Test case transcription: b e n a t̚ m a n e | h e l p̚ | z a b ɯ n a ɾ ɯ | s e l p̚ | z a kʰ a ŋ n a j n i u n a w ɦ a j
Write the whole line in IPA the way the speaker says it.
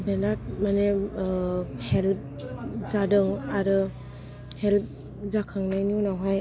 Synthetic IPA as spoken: b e n a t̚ m a n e | h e l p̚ | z a d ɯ ŋ a ɾ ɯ | h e l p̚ | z a kʰ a ŋ n a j n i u n a w ɦ a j